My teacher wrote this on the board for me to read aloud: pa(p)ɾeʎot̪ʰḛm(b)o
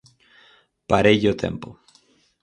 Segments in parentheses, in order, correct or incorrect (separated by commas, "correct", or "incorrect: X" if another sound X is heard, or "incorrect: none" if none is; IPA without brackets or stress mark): incorrect: none, incorrect: p